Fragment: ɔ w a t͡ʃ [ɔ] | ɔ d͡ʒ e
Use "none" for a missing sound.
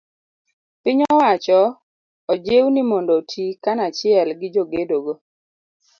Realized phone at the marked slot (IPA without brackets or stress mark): ɔ